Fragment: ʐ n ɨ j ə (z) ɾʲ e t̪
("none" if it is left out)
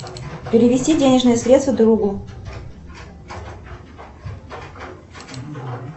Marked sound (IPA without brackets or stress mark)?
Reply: s